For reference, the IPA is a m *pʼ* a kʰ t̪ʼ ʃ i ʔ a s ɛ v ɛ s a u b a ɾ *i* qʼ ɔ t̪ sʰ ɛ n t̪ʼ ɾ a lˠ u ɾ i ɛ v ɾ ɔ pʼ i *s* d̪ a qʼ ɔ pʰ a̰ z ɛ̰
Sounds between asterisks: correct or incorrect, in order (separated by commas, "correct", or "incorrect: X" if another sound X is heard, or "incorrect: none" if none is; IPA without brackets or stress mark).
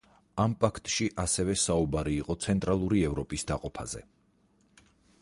correct, incorrect: iː, correct